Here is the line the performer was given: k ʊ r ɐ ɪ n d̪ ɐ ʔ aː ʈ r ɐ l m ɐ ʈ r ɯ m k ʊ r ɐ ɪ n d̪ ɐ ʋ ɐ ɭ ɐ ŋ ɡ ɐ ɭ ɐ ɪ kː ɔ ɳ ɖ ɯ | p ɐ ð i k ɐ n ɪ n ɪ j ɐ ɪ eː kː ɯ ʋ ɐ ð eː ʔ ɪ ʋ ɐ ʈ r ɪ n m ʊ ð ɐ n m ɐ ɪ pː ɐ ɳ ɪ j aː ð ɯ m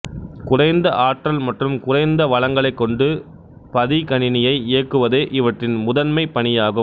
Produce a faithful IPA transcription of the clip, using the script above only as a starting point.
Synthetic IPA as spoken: k ʊ r ɐ ɪ n d̪ ɐ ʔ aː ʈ r ɐ l m ɐ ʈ r ɯ m k ʊ r ɐ ɪ n d̪ ɐ ʋ ɐ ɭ ɐ ŋ ɡ ɐ ɭ ɐ ɪ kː ɔ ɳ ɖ ɯ | p ɐ ð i k ɐ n ɪ n ɪ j ɐ ɪ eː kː ɯ ʋ ɐ ð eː ʔ ɪ ʋ ɐ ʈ r ɪ n m ʊ ð ɐ n m ɐ ɪ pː ɐ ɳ ɪ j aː ɣ ɯ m